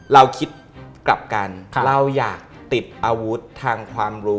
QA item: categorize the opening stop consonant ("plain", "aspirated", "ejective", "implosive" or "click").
aspirated